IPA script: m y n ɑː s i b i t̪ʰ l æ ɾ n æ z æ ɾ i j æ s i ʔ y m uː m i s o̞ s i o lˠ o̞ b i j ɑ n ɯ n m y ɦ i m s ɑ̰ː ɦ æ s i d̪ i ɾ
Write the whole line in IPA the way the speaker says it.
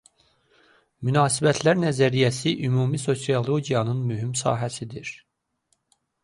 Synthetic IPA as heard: m y n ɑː s i b æ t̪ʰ l æ ɾ n æ z æ ɾ i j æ s i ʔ y m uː m i s o̞ s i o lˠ o̞ ɟ i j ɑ n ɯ n m y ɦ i m s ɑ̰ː ɦ æ s i d̪ i ɾ

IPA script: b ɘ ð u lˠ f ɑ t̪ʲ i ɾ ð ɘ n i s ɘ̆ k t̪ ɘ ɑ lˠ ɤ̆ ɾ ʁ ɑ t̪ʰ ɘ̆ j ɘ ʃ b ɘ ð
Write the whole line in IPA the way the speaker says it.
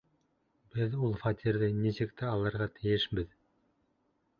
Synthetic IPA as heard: b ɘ ð u lˠ f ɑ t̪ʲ i ɾ ð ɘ n i s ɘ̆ k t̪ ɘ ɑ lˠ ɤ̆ ɾ ʁ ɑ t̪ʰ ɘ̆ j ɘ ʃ b ɘ ð

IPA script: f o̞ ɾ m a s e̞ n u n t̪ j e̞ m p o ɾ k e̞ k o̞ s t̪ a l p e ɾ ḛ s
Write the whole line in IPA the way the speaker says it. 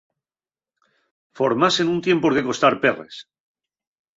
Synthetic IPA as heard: f o̞ ɾ m a s e̞ n u n t̪ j e̞ m p o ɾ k e̞ k o̞ s t̪ a ɾ p e r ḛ s

